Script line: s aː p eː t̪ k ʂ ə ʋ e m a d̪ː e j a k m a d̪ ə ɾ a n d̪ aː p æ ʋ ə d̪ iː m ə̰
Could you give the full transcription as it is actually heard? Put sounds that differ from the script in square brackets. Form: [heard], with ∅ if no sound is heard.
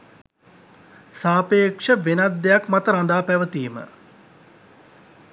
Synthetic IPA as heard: s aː p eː [∅] k ʂ ə ʋ e [n] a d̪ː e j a k m a [t̪] ə ɾ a n d̪ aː p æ ʋ ə [t̪] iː m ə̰